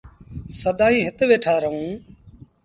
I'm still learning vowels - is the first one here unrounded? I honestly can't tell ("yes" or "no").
yes